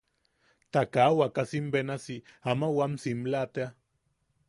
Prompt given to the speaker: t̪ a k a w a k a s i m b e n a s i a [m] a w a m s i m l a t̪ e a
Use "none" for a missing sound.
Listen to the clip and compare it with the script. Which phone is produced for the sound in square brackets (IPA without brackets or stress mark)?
m